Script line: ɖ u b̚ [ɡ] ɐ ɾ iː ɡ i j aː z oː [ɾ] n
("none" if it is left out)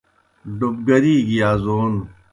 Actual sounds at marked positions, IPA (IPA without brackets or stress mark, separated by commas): ɡ, none